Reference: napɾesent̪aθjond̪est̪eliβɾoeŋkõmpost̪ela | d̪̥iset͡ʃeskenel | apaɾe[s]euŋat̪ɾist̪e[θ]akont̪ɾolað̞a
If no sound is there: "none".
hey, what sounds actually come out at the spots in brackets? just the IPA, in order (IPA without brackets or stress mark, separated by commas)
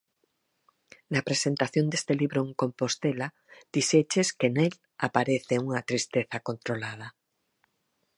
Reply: θ, θ